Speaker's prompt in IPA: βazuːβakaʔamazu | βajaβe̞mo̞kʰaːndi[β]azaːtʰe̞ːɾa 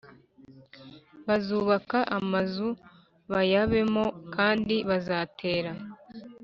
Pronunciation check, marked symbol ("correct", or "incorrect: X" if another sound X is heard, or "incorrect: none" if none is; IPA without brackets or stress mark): correct